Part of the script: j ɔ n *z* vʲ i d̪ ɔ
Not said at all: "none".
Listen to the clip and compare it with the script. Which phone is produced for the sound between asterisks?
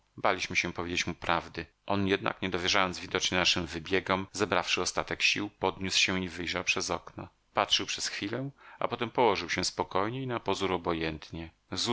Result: z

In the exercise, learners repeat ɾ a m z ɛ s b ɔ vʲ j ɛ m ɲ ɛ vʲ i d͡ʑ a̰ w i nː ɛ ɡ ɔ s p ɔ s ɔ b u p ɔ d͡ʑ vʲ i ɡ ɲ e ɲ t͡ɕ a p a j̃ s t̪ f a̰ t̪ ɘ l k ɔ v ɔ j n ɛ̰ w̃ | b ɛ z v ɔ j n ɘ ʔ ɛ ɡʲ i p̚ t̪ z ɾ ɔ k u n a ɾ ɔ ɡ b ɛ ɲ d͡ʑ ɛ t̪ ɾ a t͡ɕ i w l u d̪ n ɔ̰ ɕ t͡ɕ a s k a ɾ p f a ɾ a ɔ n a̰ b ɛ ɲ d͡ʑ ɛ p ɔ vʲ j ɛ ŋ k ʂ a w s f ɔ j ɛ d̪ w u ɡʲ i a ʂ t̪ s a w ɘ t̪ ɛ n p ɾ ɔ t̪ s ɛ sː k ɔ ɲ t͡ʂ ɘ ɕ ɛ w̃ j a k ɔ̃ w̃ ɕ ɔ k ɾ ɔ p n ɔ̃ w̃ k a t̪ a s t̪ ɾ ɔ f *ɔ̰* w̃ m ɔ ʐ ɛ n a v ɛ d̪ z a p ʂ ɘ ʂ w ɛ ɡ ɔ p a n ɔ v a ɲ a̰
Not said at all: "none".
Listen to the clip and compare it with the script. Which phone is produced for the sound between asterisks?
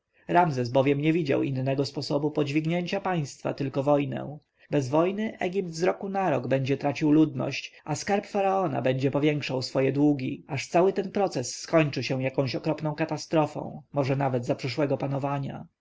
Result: ɔ̰̃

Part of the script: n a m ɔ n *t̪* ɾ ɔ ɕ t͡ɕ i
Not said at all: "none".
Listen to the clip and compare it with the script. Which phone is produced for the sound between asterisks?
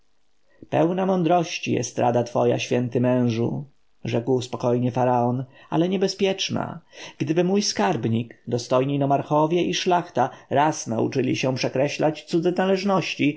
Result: d̪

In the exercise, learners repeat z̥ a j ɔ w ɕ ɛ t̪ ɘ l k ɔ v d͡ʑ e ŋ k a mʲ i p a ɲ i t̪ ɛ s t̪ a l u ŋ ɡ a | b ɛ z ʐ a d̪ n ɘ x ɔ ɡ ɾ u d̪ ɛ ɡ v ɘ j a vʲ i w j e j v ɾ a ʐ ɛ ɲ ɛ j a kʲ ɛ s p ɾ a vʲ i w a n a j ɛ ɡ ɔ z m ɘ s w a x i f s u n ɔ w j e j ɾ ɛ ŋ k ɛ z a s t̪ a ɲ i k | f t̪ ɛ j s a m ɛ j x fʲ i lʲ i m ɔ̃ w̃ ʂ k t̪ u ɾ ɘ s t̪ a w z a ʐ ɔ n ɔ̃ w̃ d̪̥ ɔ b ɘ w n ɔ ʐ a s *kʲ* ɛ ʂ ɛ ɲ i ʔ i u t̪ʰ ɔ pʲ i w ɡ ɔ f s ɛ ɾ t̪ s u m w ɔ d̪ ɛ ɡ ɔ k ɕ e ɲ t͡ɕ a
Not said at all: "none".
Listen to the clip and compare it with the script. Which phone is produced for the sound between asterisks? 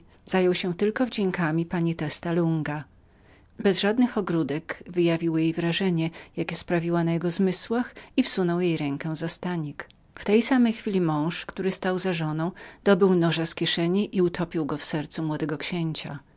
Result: kʲ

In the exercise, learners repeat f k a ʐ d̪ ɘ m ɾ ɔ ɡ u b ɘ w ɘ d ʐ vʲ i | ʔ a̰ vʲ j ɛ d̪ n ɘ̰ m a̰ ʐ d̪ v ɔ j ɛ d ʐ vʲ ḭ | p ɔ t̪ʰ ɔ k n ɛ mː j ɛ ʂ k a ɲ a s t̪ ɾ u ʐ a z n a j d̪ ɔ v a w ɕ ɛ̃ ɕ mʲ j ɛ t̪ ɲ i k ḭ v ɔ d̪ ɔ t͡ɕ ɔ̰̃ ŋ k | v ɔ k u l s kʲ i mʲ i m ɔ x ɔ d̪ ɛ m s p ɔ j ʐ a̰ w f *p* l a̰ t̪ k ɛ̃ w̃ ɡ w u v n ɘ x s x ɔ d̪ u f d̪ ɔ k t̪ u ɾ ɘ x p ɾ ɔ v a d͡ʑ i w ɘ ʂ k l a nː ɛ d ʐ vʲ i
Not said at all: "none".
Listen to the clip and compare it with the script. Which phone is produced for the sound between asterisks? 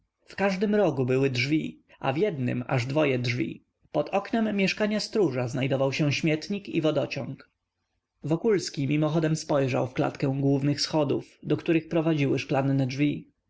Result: k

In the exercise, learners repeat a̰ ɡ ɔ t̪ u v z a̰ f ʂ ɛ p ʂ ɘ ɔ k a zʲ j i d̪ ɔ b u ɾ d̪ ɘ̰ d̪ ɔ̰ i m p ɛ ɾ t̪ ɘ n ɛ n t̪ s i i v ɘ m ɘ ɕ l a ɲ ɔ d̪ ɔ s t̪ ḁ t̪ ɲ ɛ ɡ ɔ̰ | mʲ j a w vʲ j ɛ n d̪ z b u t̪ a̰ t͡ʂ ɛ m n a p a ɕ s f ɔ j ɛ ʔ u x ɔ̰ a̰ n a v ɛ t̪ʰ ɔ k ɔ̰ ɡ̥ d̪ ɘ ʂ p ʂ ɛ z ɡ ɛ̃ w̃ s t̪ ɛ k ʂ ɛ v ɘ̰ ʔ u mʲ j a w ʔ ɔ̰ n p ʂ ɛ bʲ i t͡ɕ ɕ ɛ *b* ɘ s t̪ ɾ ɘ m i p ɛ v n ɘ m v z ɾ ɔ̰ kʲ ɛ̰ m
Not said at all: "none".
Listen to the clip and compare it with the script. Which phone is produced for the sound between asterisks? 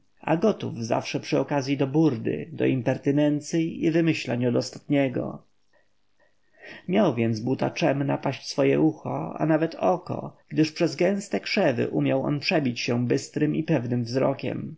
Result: b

